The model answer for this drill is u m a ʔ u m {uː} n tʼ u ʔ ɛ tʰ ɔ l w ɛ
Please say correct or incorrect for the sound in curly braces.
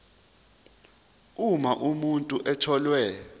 incorrect